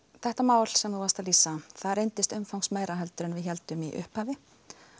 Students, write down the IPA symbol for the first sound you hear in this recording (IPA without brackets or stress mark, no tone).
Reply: θ